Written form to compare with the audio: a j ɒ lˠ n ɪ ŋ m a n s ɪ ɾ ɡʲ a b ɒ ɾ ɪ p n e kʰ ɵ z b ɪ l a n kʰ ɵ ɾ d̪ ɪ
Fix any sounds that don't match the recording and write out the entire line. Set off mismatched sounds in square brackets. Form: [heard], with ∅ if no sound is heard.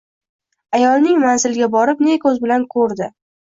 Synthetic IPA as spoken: a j ɒ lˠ n ɪ ŋ m a n [z] ɪ [l] ɡʲ a b ɒ ɾ ɪ p n e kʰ ɵ z b ɪ l a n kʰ ɵ ɾ d̪ ɪ